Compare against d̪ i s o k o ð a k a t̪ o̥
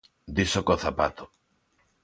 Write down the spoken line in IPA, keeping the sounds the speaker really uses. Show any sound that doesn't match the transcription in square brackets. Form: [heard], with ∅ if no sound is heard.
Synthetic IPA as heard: d̪ i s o k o [θ] a [p] a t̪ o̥